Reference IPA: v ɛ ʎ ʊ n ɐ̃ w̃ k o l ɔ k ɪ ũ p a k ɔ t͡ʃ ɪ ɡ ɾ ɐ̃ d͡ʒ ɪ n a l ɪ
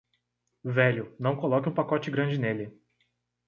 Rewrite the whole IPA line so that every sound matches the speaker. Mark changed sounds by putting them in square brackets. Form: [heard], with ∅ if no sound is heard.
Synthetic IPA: v ɛ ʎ ʊ n ɐ̃ w̃ k o l ɔ k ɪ ũ p a k ɔ t͡ʃ ɪ ɡ ɾ ɐ̃ d͡ʒ ɪ n [e] l ɪ